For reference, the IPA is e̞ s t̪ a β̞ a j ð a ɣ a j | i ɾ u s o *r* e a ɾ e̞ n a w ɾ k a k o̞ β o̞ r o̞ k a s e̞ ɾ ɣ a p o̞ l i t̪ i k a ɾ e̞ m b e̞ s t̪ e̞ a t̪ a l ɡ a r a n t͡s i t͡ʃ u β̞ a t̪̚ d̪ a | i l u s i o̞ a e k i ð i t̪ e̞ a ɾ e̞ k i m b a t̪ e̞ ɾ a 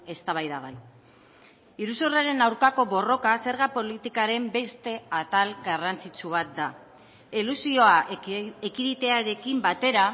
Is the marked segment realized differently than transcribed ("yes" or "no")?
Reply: no